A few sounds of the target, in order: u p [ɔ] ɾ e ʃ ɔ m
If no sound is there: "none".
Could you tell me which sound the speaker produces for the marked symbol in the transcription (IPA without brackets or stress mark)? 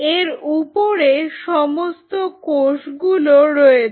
o